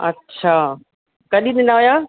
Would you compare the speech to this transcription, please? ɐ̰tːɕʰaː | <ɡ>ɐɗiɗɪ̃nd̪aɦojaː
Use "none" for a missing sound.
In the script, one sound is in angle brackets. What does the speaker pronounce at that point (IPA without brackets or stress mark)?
k